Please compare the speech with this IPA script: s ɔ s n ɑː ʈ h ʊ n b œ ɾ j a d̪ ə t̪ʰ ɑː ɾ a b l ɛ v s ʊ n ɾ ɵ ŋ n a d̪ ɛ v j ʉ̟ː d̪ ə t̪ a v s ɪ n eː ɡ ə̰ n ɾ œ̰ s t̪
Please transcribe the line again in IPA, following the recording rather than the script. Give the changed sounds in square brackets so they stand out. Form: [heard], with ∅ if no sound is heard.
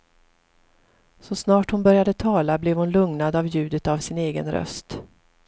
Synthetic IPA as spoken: s ɔ s n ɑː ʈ h ʊ n b œ ɾ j a d̪ ə t̪ʰ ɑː [l] a b l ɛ v [h] ʊ n [l] ɵ ŋ n a d̪ [a] v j ʉ̟ː d̪ ə t̪ a v s ɪ n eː ɡ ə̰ n ɾ œ̰ s t̪